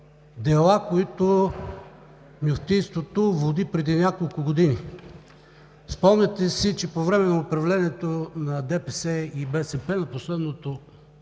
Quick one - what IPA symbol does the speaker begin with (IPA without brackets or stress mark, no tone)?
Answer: d̪